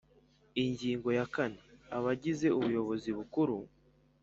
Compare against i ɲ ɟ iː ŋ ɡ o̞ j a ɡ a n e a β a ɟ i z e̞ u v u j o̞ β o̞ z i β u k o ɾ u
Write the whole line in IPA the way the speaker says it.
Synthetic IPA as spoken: i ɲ ɟ iː ŋ ɡ o̞ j a k a n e a β a ɟ i z e̞ u β u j o̞ β o̞ z i β u k u ɾ u